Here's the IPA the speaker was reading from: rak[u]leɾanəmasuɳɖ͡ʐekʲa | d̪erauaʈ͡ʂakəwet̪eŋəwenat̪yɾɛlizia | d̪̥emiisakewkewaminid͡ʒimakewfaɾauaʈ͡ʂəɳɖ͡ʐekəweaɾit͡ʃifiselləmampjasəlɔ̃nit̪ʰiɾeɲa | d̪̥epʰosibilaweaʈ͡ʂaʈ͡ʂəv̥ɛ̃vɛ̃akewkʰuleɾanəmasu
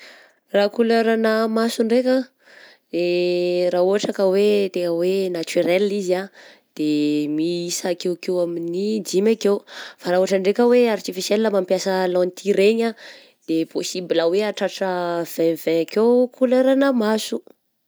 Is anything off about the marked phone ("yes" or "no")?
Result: no